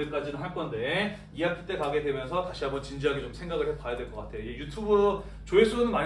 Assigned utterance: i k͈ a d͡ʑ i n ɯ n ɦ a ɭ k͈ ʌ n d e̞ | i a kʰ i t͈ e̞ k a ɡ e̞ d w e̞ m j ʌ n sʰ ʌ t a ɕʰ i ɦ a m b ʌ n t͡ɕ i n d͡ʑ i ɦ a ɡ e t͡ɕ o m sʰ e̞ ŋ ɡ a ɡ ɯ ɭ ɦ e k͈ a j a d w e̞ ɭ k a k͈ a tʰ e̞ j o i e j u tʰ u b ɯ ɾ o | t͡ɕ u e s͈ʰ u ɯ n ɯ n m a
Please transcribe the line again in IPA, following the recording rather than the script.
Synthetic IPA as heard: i k͈ a d͡ʑ i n ɯ n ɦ a ɭ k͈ ʌ n d e̞ | i a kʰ i t͈ e̞ k a ɡ e̞ d w e̞ m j ʌ n sʰ ʌ t a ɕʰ i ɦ a m b ʌ n t͡ɕ i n d͡ʑ i ɦ a ɡ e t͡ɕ o m sʰ e̞ ŋ ɡ a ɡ ɯ ɭ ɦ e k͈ a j a d w e̞ ɭ k ʌ k͈ a tʰ e̞ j o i e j u tʰ u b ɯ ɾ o | t͡ɕ o e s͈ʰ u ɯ n ɯ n m a